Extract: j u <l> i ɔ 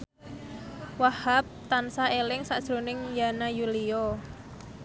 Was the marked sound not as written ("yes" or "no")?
no